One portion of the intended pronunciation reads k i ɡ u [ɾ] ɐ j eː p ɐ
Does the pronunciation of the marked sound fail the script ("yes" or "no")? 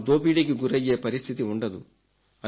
no